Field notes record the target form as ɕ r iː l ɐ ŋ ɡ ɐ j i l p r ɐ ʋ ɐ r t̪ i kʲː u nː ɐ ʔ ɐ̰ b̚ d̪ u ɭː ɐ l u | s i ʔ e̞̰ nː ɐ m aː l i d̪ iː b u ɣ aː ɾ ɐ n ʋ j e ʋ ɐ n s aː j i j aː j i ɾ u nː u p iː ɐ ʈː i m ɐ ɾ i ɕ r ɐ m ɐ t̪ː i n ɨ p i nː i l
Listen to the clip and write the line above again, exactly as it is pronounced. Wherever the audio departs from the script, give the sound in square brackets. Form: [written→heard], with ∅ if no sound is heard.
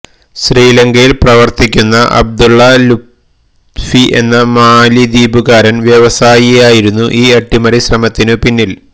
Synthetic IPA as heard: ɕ r iː l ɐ ŋ ɡ ɐ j i l p r ɐ ʋ ɐ r t̪ i kʲː u nː ɐ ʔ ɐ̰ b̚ d̪ u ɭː ɐ l u | [s→f] i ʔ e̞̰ nː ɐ m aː l i d̪ iː b u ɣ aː ɾ ɐ n ʋ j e ʋ ɐ [n→∅] s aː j i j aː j i ɾ u nː u [p→ʔ] iː ɐ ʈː i m ɐ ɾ i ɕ r ɐ m ɐ t̪ː i n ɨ p i nː i l

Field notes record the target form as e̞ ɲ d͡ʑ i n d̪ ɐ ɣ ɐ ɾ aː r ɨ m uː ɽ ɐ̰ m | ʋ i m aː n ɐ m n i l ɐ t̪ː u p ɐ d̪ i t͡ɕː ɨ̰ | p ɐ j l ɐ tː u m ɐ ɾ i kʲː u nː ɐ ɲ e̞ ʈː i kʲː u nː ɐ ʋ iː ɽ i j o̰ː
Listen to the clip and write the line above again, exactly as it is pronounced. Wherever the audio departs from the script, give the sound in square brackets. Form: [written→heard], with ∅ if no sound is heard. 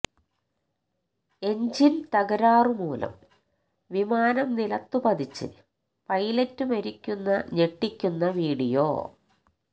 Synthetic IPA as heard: e̞ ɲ d͡ʑ i n [d̪→t̪] ɐ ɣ ɐ ɾ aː r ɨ m uː [ɽ→l] ɐ̰ m | ʋ i m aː n ɐ m n i l ɐ t̪ː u p ɐ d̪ i t͡ɕː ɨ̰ | p ɐ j l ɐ tː u m ɐ ɾ i kʲː u nː ɐ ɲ e̞ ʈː i kʲː u nː ɐ ʋ iː ɽ i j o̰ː

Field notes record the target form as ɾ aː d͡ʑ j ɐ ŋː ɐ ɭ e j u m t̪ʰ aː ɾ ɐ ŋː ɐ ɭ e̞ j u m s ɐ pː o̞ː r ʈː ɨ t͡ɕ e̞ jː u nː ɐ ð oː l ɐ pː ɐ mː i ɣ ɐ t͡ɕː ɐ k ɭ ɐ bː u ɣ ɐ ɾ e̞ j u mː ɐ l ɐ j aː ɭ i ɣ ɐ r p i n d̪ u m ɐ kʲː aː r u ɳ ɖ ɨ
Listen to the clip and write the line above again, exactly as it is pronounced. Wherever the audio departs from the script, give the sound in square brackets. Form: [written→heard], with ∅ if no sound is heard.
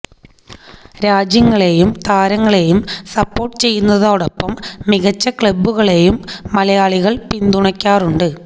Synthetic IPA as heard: ɾ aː d͡ʑ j ɐ ŋː ɐ ɭ e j u m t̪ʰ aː ɾ ɐ ŋː ɐ ɭ e̞ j u m s ɐ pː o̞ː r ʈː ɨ t͡ɕ e̞ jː u nː ɐ ð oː [l→ɽ] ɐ pː ɐ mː i ɣ ɐ t͡ɕː ɐ k ɭ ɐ bː u ɣ ɐ [ɾ→ɭ] e̞ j u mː ɐ l ɐ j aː ɭ i ɣ ɐ [r→ɭ] p i n d̪ u [m→ɳ] ɐ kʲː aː r u ɳ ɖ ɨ

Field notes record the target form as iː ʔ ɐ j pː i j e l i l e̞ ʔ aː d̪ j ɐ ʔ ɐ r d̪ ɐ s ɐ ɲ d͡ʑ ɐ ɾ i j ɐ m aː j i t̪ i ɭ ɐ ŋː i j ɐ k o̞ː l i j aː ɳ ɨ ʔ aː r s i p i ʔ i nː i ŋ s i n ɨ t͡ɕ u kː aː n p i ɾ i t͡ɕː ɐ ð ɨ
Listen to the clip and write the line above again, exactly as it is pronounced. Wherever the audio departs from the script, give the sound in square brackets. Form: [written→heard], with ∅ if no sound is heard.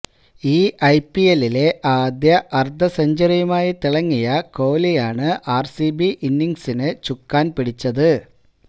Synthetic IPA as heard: iː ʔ ɐ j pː i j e l i l e̞ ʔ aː d̪ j ɐ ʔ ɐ r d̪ ɐ s ɐ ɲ d͡ʑ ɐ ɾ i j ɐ m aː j i t̪ i ɭ ɐ ŋː i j ɐ k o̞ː l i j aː ɳ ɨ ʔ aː r s i [p→b] i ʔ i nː i ŋ s i n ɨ t͡ɕ u kː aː n p i [ɾ→ɽ] i t͡ɕː ɐ ð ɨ

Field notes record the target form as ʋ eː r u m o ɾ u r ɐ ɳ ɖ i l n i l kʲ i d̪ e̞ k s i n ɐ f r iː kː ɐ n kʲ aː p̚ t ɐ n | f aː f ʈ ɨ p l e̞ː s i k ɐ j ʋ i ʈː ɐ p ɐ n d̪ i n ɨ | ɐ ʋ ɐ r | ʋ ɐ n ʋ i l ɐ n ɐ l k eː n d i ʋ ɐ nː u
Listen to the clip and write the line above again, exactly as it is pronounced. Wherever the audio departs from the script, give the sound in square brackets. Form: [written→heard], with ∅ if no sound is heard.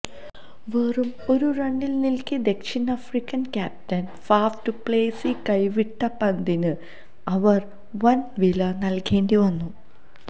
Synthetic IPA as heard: ʋ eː r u m o ɾ u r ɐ ɳ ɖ i l n i l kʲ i d̪ e̞ k [s→ʂ] i n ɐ f r [iː→i] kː ɐ n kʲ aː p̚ t ɐ n | f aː f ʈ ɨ p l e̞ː s i k ɐ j ʋ i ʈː ɐ p ɐ n d̪ i n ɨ | ɐ ʋ ɐ r | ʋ ɐ n ʋ i l ɐ n ɐ l k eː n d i ʋ ɐ nː u

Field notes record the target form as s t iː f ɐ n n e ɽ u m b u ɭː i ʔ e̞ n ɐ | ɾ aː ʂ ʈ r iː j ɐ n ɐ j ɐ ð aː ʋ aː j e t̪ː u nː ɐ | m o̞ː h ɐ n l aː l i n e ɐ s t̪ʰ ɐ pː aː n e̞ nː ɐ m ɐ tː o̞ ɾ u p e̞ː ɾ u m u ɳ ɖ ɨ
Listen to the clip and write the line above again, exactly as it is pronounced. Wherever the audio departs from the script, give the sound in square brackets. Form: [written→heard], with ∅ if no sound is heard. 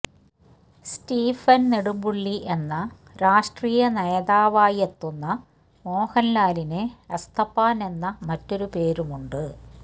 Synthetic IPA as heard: s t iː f ɐ n n e ɽ u m b u ɭː i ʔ e̞ [n→nː] ɐ | ɾ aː ʂ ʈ r iː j ɐ n ɐ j ɐ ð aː ʋ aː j e t̪ː u nː ɐ | m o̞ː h ɐ n l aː l i n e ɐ s t̪ʰ ɐ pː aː n e̞ nː ɐ m ɐ tː o̞ ɾ u p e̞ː ɾ u m u ɳ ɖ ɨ

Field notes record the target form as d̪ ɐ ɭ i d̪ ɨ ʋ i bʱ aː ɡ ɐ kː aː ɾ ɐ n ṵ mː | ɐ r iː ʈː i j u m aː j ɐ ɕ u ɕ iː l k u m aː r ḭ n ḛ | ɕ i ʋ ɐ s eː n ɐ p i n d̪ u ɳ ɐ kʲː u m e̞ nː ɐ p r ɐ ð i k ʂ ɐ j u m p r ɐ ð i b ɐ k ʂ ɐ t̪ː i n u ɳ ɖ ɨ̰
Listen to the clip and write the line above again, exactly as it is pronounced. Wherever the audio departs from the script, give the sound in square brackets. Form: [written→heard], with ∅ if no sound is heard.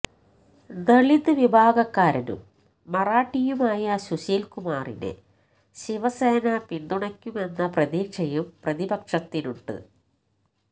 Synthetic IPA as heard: d̪ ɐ ɭ i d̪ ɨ ʋ i bʱ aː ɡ ɐ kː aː ɾ ɐ n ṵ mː | ɐ r [iː→aː] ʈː i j u m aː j ɐ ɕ u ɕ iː l k u m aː r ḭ n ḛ | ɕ i ʋ ɐ s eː n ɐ p i n d̪ u ɳ ɐ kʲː u m e̞ nː ɐ p r ɐ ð [i→iː] k ʂ ɐ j u m p r ɐ ð i b ɐ k ʂ ɐ t̪ː i n u ɳ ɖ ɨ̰

